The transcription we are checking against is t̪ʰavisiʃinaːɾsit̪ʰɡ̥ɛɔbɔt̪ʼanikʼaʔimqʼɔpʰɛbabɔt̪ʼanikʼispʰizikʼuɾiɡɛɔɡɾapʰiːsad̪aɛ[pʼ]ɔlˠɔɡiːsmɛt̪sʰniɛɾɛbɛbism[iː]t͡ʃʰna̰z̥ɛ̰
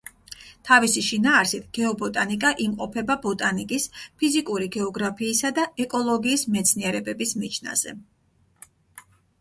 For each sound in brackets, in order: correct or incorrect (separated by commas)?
incorrect, incorrect